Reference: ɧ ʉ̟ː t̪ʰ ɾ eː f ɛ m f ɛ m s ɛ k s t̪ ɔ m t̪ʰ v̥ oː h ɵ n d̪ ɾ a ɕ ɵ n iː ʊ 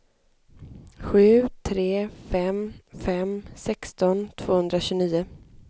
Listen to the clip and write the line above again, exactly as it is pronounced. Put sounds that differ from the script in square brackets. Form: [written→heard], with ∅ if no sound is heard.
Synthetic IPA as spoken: ɧ ʉ̟ː t̪ʰ ɾ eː f ɛ m f ɛ m s ɛ k s t̪ ɔ [m→n] t̪ʰ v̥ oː h ɵ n d̪ ɾ a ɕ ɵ n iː ʊ